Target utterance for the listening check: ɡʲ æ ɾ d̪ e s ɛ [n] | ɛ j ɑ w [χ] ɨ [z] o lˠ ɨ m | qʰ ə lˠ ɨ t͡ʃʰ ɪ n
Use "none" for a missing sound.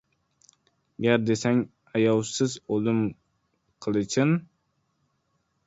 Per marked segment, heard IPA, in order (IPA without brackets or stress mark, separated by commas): ŋ, s, z